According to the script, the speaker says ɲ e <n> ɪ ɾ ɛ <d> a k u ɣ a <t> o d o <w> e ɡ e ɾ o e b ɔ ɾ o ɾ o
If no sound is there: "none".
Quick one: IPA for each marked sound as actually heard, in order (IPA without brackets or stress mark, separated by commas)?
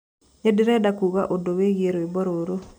d, d, ʔ, w